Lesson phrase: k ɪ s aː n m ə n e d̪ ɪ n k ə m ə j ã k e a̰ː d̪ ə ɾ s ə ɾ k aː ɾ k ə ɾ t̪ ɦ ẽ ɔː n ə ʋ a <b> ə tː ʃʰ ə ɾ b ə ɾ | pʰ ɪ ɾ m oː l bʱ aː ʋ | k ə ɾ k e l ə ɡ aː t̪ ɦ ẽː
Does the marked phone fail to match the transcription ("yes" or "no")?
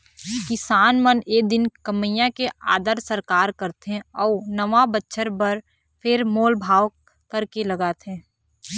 no